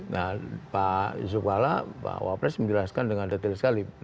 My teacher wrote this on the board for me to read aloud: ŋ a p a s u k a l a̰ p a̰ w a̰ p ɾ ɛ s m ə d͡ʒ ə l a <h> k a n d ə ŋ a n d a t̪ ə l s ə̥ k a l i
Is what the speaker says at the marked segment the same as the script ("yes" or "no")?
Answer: no